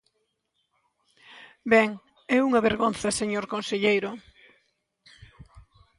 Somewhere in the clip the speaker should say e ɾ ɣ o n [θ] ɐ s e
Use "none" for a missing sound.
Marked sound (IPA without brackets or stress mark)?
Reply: θ